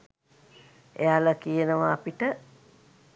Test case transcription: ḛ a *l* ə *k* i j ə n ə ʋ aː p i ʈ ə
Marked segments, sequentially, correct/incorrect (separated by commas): correct, correct